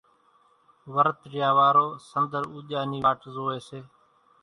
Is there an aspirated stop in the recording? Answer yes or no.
no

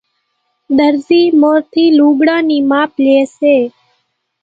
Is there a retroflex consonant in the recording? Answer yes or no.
yes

